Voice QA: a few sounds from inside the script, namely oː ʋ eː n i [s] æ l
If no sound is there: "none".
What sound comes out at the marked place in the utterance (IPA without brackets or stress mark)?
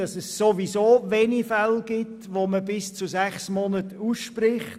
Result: f